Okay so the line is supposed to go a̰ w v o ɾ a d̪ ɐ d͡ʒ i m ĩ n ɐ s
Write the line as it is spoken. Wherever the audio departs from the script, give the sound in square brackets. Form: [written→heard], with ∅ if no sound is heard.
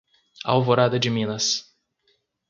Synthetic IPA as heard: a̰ w v o ɾ a d̪ ɐ d͡ʒ [i→ɪ] m ĩ n ɐ s